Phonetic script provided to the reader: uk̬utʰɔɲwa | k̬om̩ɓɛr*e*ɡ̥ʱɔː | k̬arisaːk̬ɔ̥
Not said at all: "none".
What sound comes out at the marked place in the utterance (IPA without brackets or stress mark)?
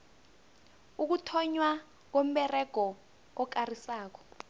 ɛ